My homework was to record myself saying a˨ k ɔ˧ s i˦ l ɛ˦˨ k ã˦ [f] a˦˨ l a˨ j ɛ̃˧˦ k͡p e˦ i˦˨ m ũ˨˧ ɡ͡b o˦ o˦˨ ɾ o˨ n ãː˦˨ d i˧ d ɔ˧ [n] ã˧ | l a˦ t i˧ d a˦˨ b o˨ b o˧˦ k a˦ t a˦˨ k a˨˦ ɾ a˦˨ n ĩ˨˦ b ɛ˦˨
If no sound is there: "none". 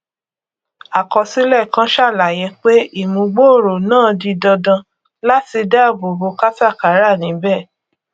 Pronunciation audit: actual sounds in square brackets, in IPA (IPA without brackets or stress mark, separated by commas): ʃ, d